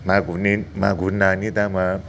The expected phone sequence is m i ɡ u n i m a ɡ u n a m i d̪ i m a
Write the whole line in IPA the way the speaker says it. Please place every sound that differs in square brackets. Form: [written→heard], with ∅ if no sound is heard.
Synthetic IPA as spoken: m [i→a] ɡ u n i m a ɡ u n a [m→n] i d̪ [i→a] m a